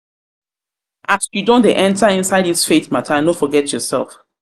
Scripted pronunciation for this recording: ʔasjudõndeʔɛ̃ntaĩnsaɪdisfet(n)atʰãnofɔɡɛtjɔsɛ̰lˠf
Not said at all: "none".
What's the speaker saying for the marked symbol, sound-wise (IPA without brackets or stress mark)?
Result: m